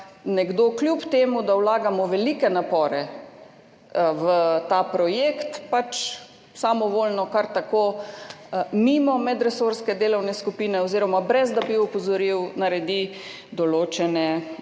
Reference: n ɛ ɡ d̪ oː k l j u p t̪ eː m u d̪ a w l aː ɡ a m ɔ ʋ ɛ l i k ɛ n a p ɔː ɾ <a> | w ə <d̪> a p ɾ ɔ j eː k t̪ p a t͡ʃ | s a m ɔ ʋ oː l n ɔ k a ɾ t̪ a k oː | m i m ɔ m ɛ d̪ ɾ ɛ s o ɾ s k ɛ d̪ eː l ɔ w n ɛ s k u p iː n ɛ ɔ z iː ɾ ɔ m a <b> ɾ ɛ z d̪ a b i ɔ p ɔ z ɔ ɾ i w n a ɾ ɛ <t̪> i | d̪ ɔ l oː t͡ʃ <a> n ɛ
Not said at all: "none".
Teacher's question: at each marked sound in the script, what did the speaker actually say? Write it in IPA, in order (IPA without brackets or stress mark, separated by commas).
ɛ, t̪, b, d̪, ɛ